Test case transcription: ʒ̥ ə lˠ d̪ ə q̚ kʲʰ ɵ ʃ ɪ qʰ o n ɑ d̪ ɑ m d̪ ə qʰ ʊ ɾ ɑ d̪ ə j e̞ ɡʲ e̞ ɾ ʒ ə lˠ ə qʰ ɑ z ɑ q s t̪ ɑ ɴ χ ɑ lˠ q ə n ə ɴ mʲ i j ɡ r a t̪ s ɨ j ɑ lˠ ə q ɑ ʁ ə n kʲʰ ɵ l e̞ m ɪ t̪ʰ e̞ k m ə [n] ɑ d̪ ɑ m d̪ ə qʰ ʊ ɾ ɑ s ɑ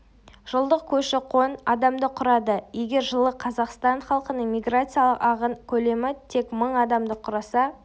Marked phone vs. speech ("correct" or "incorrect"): incorrect